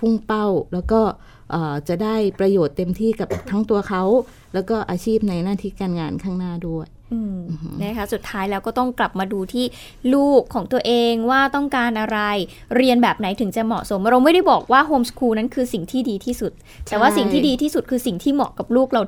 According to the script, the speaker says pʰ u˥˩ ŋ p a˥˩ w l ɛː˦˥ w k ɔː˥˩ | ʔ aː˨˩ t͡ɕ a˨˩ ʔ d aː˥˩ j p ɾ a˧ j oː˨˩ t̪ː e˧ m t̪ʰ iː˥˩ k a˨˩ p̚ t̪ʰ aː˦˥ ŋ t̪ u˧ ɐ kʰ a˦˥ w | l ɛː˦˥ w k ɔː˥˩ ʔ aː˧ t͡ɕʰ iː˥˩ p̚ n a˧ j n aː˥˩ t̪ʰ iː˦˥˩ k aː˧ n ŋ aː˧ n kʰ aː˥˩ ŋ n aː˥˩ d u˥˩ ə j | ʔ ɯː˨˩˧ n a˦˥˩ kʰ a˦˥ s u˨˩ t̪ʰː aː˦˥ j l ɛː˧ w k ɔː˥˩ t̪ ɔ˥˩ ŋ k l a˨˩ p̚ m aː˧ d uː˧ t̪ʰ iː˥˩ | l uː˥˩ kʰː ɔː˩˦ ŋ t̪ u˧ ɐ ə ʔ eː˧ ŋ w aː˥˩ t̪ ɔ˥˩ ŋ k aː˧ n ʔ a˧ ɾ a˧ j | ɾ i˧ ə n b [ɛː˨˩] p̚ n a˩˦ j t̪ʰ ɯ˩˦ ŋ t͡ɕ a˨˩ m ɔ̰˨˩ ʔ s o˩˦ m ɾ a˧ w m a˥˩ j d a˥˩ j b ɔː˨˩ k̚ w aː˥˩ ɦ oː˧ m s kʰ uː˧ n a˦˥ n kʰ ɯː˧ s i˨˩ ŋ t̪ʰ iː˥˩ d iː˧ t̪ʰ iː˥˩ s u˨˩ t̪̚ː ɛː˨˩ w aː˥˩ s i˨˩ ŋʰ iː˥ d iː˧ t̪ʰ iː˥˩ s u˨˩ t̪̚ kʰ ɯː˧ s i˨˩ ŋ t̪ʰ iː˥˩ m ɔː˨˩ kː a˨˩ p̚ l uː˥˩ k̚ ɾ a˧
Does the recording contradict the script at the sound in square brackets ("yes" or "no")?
no